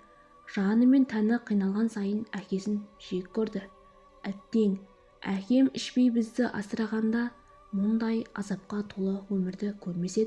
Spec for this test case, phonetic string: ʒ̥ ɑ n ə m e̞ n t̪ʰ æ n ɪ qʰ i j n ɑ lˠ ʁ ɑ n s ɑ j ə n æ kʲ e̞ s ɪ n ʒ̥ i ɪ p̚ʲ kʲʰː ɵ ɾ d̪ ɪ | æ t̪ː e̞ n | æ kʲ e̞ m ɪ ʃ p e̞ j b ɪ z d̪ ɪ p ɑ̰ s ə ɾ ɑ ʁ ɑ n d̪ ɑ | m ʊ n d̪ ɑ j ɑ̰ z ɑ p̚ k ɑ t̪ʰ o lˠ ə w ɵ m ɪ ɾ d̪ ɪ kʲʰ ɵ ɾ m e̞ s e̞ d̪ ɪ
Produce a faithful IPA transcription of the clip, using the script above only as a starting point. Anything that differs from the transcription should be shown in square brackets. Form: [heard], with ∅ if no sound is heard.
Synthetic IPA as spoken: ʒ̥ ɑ n ə m e̞ n t̪ʰ æ n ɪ qʰ i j n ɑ lˠ ʁ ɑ n s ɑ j ə n æ kʲ e̞ s ɪ n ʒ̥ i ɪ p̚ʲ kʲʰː ɵ ɾ d̪ ɪ | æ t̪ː e̞ [ŋ] | æ kʲ e̞ m ɪ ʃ p e̞ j b ɪ z d̪ ɪ [ʔ] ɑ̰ s ə ɾ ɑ ʁ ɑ n d̪ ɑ | m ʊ n d̪ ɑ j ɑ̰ z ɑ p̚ [q] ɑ t̪ʰ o lˠ ə w ɵ m ɪ ɾ d̪ ɪ kʲʰ ɵ ɾ m e̞ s e̞ d̪ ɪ

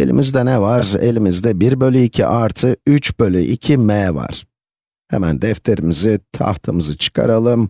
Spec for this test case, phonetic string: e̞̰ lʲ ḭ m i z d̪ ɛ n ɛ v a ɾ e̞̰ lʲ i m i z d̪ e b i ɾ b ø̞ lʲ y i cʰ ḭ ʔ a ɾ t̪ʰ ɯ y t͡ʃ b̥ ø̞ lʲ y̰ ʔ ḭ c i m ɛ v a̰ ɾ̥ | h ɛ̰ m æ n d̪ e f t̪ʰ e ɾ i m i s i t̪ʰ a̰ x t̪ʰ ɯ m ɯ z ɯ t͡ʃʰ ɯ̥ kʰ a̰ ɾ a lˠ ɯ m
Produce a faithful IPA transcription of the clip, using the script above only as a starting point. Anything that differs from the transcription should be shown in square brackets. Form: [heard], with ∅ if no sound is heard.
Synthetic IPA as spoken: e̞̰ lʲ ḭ m i z d̪ ɛ n ɛ v a ɾ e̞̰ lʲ i m i z d̪ [ɛ] b i ɾ b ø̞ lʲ y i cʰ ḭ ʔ a ɾ t̪ʰ ɯ y t͡ʃ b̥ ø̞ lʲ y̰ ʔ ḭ [cʰ] i m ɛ v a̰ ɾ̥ | h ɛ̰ m æ n d̪ [ɛ] f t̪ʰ e ɾ i m i [z] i t̪ʰ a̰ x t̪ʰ ɯ m ɯ z ɯ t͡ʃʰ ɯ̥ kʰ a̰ ɾ a lˠ ɯ m

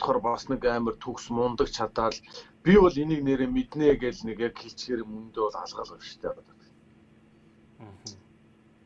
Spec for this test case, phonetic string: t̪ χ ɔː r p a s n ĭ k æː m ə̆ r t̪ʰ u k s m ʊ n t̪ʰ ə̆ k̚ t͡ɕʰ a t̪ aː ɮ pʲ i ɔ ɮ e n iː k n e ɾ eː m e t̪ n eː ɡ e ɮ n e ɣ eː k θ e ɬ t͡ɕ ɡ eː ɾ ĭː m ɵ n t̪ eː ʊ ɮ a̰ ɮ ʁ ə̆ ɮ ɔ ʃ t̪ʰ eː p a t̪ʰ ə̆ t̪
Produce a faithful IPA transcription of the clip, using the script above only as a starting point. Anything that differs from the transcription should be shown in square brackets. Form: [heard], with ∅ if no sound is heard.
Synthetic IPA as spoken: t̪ χ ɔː r p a s n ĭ k æː m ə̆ r t̪ʰ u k s m ʊ n [t̪] ə̆ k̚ t͡ɕʰ a t̪ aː ɮ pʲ i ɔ ɮ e n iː k n e ɾ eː m e t̪ n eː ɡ e ɮ n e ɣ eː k [x] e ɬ t͡ɕ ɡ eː ɾ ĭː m ɵ n t̪ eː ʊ ɮ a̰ ɮ ʁ ə̆ ɮ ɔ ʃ t̪ʰ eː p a [t̪] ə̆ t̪

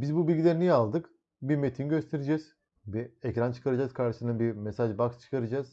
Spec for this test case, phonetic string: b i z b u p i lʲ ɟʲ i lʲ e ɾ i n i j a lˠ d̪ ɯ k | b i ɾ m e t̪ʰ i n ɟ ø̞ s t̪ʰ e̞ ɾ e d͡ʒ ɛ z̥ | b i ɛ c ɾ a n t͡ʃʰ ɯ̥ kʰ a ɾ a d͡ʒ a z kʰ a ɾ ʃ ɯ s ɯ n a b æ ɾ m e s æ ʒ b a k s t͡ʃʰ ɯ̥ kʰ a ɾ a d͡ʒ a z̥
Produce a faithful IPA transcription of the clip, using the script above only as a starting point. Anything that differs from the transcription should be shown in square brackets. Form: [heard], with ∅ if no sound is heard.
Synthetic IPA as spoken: b i z b u [b] i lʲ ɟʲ i lʲ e ɾ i n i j a lˠ d̪ ɯ k | b i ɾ m e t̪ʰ i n ɟ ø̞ s t̪ʰ e̞ ɾ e d͡ʒ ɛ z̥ | b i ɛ c ɾ a n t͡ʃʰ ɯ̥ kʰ a ɾ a d͡ʒ a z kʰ a ɾ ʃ ɯ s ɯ n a b [i] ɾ m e s [a] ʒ b a k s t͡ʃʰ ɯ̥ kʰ a ɾ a d͡ʒ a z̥

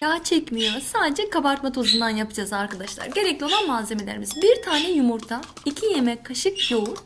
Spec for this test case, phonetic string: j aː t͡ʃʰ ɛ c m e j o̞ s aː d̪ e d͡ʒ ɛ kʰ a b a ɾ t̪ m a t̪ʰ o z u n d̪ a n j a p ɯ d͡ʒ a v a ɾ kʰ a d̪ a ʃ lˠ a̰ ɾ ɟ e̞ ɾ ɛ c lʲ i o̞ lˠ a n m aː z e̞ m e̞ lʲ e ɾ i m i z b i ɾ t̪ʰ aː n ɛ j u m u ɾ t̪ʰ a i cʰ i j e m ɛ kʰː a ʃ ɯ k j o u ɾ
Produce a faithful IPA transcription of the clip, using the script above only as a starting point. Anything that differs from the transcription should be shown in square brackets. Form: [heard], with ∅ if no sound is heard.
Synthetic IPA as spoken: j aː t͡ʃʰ ɛ c m [i] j o̞ s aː d̪ e d͡ʒ ɛ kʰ a b a ɾ t̪ m a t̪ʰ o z u n d̪ a n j a p ɯ d͡ʒ a [z] a ɾ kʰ a d̪ a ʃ lˠ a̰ ɾ ɟ e̞ ɾ ɛ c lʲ i o̞ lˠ a n m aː z e̞ m e̞ lʲ e ɾ i m i z b i ɾ t̪ʰ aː n ɛ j u m u ɾ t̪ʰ a i cʰ i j e m ɛ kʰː a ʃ ɯ k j o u ɾ

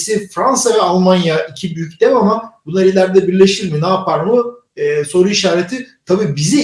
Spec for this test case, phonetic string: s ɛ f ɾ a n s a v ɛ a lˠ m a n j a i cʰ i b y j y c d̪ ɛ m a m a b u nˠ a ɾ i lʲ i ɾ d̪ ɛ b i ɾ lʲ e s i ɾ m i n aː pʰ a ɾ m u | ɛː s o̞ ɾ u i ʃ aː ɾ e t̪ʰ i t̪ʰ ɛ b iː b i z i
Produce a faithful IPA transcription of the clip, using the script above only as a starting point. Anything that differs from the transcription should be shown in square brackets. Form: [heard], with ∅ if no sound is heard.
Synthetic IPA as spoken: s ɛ f ɾ a n s a v ɛ a lˠ m a n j a i cʰ i b y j y c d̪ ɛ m a m a b u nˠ a ɾ i lʲ [æ] ɾ d̪ ɛ b i ɾ lʲ e [ʃ] i ɾ m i n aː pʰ a ɾ m [ɯ] | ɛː s o̞ ɾ u i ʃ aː ɾ e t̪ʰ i t̪ʰ [a] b iː b i z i

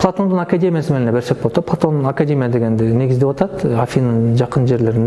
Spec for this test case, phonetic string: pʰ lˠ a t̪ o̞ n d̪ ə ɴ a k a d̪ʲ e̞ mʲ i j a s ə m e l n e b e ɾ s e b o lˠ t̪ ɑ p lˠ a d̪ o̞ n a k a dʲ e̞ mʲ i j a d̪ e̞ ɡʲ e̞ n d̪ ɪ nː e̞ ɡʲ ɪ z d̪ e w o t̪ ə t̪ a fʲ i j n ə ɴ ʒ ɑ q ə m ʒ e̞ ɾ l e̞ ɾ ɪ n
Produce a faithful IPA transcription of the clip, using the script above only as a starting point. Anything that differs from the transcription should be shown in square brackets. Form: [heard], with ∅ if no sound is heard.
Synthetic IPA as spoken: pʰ lˠ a t̪ o̞ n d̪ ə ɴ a k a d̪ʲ e̞ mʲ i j a s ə m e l n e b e ɾ s e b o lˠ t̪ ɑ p lˠ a [t̪] o̞ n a k a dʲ e̞ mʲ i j a d̪ e̞ ɡʲ e̞ n d̪ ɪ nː e̞ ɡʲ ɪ z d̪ e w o t̪ [ɑ] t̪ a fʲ i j n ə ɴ ʒ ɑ q ə [n] ʒ e̞ ɾ l e̞ ɾ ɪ n

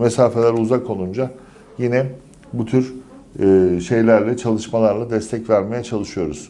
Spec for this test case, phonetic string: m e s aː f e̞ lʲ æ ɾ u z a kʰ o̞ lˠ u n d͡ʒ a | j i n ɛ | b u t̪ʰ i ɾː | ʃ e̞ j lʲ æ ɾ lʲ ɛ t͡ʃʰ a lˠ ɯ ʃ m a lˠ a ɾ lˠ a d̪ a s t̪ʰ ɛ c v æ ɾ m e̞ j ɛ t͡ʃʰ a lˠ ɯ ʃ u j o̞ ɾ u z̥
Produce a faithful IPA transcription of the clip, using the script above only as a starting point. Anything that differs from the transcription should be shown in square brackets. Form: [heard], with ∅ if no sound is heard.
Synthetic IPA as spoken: m e s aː f e̞ lʲ æ ɾ u z a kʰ o̞ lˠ u n d͡ʒ a | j i n ɛ | b u t̪ʰ [y] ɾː | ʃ e̞ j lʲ æ ɾ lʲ ɛ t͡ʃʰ a lˠ ɯ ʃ m a lˠ a ɾ lˠ a d̪ [ɛ] s t̪ʰ ɛ c v æ ɾ m e̞ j ɛ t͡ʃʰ a lˠ ɯ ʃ [ɯ] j o̞ ɾ u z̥

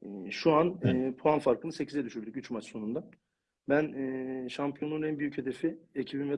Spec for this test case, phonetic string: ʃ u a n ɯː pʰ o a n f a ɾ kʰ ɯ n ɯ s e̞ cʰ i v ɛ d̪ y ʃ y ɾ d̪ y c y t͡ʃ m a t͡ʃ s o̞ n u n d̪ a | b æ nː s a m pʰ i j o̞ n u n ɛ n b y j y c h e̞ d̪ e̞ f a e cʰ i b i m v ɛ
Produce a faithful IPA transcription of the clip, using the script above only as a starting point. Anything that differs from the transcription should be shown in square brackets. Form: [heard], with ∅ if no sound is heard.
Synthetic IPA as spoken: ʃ u a n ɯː pʰ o a n f a ɾ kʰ ɯ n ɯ s e̞ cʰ i [z] ɛ d̪ y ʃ y ɾ d̪ y c y t͡ʃ m a t͡ʃ s o̞ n u n d̪ a | b æ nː [ʃ] a m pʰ i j o̞ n u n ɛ n b y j y c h e̞ d̪ e̞ f [i] e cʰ i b i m v ɛ

